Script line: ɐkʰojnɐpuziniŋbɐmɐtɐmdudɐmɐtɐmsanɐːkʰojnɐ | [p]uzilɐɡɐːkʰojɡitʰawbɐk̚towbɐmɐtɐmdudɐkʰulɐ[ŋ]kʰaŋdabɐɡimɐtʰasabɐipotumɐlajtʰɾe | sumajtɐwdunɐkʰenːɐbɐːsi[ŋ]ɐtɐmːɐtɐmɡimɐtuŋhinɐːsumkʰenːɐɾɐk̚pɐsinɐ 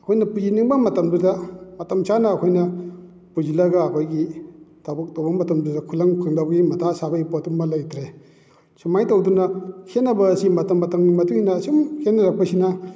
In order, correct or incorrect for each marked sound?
correct, correct, incorrect: m

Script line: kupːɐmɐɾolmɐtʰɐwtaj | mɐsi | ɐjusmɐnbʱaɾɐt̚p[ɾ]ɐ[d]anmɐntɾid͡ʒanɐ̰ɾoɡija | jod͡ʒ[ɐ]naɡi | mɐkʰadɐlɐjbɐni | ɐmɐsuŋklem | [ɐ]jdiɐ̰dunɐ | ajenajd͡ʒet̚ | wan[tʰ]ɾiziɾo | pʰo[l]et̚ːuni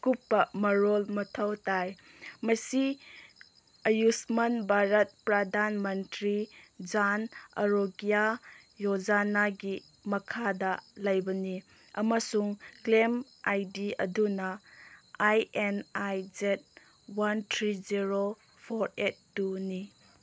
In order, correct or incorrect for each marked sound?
correct, correct, incorrect: a, incorrect: a, correct, incorrect: ɾ

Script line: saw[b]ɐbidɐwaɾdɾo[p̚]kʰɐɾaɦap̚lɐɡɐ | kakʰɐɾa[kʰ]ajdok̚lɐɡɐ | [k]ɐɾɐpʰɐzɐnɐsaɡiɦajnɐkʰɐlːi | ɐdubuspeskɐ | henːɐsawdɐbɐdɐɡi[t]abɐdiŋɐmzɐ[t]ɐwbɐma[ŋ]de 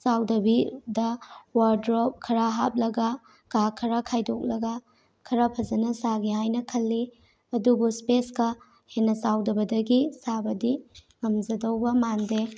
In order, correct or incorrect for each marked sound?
incorrect: d, correct, correct, incorrect: kʰ, incorrect: s, incorrect: d, incorrect: n

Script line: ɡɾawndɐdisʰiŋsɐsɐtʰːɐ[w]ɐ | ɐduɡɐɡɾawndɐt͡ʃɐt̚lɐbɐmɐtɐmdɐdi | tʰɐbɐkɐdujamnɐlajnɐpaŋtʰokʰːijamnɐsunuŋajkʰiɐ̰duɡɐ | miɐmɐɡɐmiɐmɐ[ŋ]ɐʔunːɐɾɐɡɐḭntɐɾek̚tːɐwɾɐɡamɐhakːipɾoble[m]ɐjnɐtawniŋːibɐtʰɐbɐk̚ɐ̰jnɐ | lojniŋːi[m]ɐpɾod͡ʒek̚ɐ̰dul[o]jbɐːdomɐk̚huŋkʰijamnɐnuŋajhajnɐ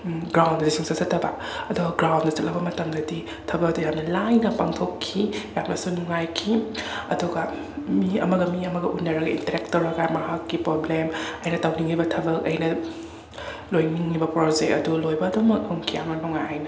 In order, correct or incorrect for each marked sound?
incorrect: b, incorrect: ɡ, correct, incorrect: b, correct

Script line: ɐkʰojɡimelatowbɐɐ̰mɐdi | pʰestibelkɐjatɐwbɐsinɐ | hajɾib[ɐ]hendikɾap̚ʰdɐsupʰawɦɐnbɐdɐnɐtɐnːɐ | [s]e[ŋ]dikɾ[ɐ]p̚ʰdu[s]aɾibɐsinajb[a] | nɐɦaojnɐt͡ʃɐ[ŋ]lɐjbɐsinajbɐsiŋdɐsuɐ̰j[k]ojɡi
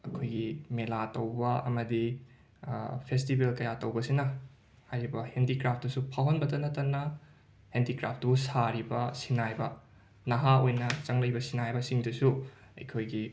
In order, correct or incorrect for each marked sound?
correct, incorrect: h, incorrect: n, incorrect: a, correct, incorrect: ɐ, correct, incorrect: kʰ

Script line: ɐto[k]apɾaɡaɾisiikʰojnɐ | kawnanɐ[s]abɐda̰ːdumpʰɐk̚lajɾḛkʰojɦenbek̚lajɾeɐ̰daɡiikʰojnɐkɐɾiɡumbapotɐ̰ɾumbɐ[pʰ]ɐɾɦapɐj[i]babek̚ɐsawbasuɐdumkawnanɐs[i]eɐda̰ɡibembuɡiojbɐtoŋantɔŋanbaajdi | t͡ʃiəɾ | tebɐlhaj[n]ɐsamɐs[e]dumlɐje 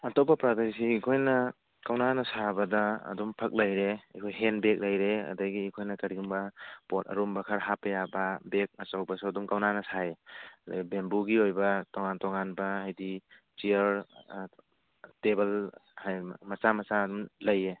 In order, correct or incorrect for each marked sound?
incorrect: p, correct, incorrect: kʰ, incorrect: a, incorrect: a, incorrect: m, incorrect: a

